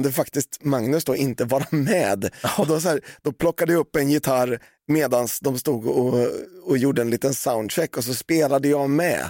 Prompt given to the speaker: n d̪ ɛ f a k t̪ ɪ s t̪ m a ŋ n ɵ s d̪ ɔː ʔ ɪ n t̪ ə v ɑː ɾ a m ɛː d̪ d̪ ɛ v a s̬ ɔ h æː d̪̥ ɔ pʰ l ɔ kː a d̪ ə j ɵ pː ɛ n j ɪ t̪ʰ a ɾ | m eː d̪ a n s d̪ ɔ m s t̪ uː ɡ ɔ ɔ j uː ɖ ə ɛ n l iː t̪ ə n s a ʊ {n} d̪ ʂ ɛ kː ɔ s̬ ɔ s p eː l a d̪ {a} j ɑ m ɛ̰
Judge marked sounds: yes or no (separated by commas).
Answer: yes, no